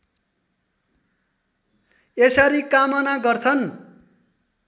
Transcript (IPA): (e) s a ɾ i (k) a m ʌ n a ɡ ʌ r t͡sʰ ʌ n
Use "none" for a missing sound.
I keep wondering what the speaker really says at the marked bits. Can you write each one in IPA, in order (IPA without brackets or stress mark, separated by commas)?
e, k